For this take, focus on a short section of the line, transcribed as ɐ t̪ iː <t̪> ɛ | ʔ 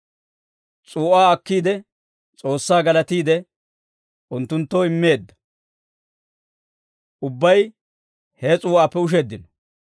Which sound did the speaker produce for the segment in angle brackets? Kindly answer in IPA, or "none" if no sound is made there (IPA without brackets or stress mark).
d̪